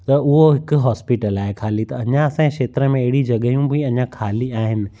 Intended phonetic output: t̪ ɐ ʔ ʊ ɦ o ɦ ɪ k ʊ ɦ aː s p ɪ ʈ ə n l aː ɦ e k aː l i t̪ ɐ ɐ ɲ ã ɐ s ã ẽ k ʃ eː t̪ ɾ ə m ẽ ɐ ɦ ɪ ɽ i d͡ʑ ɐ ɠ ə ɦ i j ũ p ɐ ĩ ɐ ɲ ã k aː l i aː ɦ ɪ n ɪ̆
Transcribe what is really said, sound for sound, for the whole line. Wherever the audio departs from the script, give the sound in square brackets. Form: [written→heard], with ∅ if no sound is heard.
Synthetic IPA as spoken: t̪ ɐ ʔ ʊ ɦ o ɦ ɪ k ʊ ɦ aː s p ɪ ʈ ə [n→∅] l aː ɦ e [k→kʰ] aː l i t̪ ɐ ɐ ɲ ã ɐ s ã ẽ k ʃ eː t̪ ɾ ə m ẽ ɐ ɦ ɪ ɽ i d͡ʑ ɐ ɠ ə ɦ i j ũ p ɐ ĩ ɐ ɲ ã [k→kʰ] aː l i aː ɦ ɪ n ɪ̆

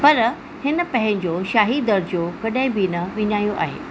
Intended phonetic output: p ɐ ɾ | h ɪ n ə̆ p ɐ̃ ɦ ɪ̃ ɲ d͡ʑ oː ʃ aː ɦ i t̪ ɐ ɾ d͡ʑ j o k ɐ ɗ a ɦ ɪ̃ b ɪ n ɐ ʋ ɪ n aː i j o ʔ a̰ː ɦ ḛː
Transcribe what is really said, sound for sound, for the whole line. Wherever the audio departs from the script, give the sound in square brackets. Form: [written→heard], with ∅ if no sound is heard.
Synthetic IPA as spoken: p ɐ ɾ | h ɪ n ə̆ p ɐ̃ ɦ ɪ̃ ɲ d͡ʑ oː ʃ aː ɦ i [t̪→d̪] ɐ ɾ d͡ʑ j o k ɐ ɗ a ɦ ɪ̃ b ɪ n ɐ ʋ ɪ [n→ɲ] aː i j o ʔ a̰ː ɦ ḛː

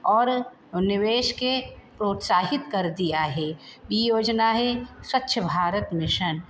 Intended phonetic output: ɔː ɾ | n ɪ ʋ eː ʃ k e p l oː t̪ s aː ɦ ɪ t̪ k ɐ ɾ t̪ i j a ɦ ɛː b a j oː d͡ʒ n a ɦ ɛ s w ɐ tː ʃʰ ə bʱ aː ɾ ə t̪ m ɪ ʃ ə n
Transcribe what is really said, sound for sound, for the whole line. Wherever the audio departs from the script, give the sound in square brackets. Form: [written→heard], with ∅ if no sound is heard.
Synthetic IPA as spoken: ɔː ɾ | n ɪ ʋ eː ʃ k e p [l→ɾ] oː t̪ s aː ɦ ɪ t̪ k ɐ ɾ [t̪→d̪] i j a ɦ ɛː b [a→i] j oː d͡ʒ n a ɦ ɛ s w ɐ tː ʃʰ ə bʱ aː ɾ ə t̪ m ɪ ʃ ə n

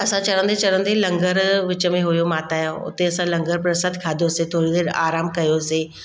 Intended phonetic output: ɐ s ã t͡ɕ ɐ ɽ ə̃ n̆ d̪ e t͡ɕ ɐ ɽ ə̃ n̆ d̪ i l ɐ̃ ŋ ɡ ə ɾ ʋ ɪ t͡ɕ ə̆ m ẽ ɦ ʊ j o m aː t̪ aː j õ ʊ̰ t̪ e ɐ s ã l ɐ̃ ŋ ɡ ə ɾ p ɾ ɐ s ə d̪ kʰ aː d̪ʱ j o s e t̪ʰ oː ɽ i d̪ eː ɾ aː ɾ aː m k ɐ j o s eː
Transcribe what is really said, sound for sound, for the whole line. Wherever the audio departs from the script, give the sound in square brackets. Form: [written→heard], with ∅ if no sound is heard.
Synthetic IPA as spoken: ɐ s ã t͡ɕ ɐ ɽ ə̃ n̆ d̪ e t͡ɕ ɐ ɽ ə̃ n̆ d̪ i l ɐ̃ ŋ ɡ ə ɾ ʋ ɪ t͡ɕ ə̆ m ẽ ɦ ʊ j o m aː t̪ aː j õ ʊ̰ t̪ e ɐ s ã l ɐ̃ ŋ ɡ ə ɾ p ɾ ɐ s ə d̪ kʰ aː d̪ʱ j o s e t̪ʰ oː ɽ i d̪ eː ɾ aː ɾ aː m k ɐ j o s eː

